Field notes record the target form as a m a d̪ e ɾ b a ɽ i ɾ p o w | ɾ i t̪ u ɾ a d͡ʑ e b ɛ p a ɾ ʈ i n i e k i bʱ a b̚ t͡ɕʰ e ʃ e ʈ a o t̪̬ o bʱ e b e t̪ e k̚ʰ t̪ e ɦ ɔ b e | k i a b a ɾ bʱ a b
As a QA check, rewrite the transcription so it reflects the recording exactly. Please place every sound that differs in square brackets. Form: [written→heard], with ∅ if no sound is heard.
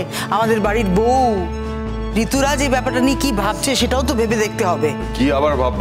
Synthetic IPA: a m a d̪ e ɾ b a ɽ i ɾ [p→b] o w | ɾ i t̪ u ɾ a d͡ʑ e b ɛ p a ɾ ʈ [i→a] n i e k i bʱ a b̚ t͡ɕʰ e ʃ e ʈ a o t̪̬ o bʱ e b e [t̪→d̪] e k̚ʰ t̪ e ɦ ɔ b e | k i a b a ɾ bʱ a b

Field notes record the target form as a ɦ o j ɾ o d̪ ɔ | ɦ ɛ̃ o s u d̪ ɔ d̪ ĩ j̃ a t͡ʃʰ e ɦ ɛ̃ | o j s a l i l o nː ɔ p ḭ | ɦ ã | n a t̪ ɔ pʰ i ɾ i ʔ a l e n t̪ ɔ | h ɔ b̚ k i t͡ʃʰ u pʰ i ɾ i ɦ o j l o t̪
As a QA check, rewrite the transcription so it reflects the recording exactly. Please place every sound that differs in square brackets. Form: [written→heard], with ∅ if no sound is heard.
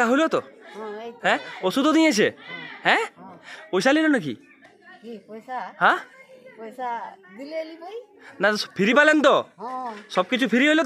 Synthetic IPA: a ɦ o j [ɾ→l] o [d̪→t̪] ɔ | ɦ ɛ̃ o s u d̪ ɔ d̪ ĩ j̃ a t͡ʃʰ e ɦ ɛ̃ | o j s a l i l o [nː→n] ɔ [p→k] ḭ | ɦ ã | n a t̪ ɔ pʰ i ɾ i [ʔ→p] a l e n t̪ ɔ | [h→s] ɔ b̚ k i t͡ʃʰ u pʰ i ɾ i ɦ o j l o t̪

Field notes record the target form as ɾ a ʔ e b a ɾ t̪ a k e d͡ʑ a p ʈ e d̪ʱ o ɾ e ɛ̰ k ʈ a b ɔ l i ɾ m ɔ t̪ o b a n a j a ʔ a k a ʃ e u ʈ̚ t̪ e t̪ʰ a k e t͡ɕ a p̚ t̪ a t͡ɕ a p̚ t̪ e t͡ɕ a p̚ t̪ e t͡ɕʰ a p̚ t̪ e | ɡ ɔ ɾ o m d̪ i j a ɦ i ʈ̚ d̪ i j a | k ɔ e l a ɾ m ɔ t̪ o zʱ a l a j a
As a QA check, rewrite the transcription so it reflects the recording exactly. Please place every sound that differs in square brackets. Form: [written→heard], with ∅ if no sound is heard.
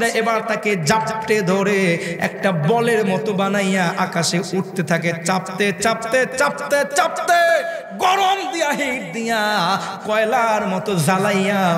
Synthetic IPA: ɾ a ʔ e b a ɾ t̪ a k e d͡ʑ a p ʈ e d̪ʱ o ɾ e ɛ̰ k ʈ a b ɔ l [i→e] ɾ m ɔ t̪ o b a n a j a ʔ a k a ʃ e u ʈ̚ t̪ e t̪ʰ a k e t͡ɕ a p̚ t̪ [a→e] t͡ɕ a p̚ t̪ e t͡ɕ a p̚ t̪ e [t͡ɕʰ→t͡ɕ] a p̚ t̪ e | ɡ ɔ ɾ o m d̪ i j a ɦ i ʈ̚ d̪ i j a | k ɔ e l a ɾ m ɔ t̪ o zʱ a l a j a

